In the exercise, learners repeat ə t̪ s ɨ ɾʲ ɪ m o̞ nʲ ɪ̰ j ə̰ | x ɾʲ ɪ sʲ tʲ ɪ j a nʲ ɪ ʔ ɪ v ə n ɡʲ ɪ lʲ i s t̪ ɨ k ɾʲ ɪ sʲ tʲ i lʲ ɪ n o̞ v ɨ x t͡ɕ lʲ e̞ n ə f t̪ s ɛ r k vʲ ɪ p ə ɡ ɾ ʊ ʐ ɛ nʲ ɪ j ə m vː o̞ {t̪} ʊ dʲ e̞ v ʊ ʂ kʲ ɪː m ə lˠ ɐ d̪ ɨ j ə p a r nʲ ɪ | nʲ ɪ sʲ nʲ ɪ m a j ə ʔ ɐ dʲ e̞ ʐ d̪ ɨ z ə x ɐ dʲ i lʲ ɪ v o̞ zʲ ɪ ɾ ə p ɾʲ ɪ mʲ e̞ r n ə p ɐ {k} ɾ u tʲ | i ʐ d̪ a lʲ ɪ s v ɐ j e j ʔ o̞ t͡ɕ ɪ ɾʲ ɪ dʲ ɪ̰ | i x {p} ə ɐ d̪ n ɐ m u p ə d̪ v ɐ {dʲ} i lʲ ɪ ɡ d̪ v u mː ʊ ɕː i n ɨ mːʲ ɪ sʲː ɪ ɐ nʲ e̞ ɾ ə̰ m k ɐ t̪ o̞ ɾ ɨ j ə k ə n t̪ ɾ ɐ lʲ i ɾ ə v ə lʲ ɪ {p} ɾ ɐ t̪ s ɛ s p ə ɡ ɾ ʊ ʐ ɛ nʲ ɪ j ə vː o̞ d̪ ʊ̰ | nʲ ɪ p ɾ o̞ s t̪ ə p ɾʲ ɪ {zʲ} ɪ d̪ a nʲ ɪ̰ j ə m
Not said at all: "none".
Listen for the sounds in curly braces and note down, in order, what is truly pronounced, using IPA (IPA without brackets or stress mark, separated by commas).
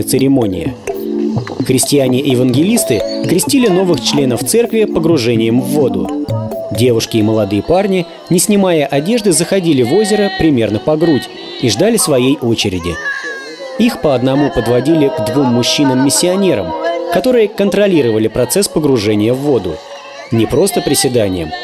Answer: d̪, ɡ, p, dʲ, p, sʲ